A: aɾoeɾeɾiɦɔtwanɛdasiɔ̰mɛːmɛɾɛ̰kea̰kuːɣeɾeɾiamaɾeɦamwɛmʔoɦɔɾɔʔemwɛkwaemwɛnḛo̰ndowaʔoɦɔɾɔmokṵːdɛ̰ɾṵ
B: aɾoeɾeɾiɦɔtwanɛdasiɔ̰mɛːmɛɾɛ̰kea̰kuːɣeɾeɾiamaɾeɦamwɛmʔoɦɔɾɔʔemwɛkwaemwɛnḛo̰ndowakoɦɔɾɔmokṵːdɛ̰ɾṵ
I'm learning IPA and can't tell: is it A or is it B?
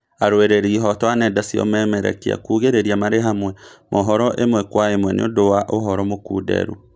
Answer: A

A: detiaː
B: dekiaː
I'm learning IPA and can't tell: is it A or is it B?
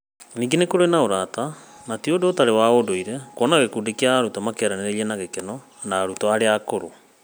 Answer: B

